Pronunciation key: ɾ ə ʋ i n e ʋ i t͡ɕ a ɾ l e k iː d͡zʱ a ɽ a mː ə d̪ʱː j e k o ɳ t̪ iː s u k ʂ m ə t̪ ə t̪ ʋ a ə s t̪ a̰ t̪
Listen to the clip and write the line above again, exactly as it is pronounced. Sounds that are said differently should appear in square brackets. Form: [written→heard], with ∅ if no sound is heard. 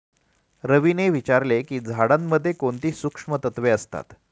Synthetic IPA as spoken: ɾ ə ʋ i n e ʋ i t͡ɕ a ɾ l e k iː d͡zʱ a ɽ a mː ə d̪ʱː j e k o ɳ t̪ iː s u k ʂ m ə t̪ ə t̪ ʋ [a→e] ə s t̪ a̰ t̪